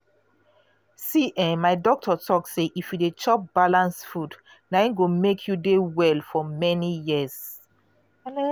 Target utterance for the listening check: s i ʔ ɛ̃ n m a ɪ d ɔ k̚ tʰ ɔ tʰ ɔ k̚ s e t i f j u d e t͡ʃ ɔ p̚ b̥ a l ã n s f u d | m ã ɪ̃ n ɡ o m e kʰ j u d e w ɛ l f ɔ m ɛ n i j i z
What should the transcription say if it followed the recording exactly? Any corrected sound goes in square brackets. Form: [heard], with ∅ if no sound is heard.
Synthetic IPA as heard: s i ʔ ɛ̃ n m a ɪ d ɔ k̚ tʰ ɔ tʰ ɔ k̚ s e [ʔ] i f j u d e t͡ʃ ɔ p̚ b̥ a l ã n s f u d | [n] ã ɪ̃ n ɡ o m e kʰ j u d e w ɛ l f ɔ m ɛ n i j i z